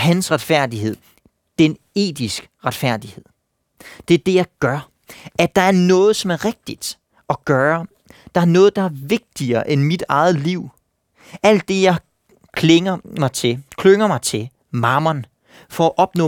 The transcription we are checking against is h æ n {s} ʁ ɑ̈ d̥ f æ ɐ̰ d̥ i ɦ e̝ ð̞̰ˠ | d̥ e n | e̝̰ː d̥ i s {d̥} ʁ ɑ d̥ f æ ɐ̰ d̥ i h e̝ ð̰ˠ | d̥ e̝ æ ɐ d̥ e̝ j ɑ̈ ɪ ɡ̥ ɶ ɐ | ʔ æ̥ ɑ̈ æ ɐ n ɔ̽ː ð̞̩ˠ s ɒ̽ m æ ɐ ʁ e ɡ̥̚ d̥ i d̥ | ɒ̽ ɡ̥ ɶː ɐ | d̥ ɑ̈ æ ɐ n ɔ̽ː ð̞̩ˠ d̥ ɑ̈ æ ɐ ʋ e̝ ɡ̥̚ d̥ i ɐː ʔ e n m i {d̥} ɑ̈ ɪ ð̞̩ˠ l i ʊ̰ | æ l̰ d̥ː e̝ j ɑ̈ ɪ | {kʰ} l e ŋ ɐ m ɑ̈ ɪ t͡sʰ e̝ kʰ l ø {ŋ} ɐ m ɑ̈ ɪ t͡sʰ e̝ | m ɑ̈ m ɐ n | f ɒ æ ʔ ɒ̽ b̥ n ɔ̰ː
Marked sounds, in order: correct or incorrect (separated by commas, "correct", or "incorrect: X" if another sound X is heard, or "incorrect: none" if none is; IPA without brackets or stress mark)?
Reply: correct, incorrect: ɡ̥, correct, correct, correct